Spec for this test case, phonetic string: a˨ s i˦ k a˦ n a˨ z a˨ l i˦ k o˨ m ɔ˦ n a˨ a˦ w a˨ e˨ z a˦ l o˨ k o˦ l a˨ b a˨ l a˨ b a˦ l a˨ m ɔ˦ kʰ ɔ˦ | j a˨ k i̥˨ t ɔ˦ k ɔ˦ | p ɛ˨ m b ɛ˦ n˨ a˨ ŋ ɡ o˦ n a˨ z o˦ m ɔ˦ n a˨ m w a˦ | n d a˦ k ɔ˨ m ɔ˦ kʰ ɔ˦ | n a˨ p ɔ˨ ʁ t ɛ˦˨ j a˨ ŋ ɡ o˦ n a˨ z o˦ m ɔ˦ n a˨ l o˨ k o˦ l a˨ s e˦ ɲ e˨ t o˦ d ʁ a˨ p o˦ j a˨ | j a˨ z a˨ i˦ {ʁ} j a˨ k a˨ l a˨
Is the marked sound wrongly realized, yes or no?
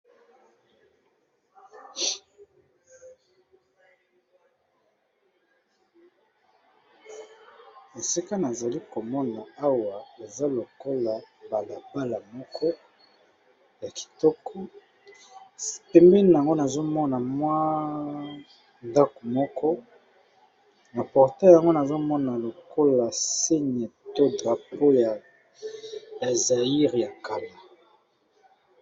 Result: no